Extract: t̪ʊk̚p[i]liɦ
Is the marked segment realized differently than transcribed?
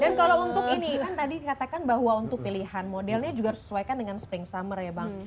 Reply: no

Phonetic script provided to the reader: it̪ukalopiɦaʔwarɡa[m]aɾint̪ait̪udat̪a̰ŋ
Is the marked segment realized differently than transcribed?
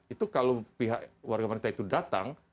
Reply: no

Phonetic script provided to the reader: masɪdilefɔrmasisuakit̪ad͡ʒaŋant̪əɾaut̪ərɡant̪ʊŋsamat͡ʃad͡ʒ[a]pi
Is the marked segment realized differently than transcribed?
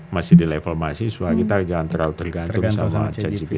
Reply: yes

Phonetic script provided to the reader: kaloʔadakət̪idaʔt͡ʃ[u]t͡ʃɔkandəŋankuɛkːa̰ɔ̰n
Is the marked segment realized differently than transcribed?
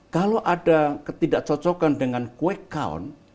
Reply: yes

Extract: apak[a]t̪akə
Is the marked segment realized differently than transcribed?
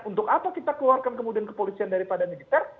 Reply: yes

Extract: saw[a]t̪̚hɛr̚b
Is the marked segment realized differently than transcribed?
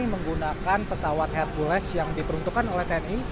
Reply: no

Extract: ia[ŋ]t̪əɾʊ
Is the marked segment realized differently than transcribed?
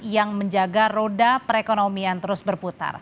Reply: yes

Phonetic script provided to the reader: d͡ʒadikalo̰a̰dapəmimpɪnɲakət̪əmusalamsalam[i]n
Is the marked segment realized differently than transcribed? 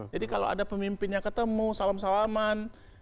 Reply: yes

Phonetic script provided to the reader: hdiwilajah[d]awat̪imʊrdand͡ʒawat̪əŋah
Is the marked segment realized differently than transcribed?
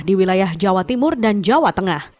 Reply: yes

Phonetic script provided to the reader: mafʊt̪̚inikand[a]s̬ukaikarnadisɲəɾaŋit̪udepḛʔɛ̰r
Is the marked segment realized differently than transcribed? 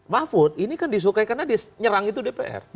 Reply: yes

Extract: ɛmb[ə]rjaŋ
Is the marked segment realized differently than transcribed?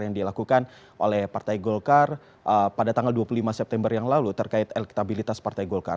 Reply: no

